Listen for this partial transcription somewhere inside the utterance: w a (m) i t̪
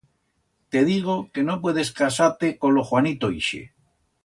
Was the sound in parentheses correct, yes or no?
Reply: no